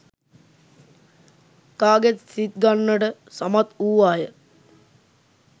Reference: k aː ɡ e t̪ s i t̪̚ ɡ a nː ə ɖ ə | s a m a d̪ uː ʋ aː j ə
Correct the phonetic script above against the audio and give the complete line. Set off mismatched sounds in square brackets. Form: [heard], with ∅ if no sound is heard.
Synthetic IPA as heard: k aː ɡ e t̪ s i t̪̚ ɡ a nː ə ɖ ə | s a m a [t̪] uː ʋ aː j ə